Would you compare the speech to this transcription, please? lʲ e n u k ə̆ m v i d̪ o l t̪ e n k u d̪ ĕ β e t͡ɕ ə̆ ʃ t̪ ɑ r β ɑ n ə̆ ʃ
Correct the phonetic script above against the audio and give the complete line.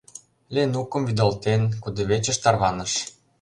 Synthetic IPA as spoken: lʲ e n u k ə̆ m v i d̪ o l t̪ e n k u d̪ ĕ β e t͡ɕ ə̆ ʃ t̪ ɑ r β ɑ n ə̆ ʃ